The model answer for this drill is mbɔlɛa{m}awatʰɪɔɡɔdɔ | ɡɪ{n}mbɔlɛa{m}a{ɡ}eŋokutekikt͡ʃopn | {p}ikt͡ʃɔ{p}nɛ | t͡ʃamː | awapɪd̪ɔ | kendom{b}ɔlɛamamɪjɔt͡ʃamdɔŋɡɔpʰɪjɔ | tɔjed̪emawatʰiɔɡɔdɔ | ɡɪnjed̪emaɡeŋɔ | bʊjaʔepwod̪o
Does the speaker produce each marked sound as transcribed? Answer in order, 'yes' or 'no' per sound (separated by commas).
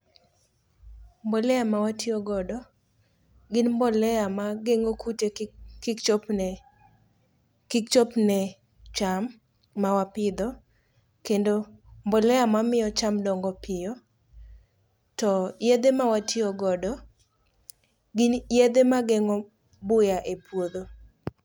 yes, yes, yes, yes, no, yes, yes